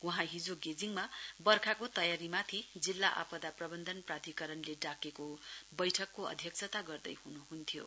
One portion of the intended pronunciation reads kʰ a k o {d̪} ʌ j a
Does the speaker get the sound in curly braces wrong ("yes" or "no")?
yes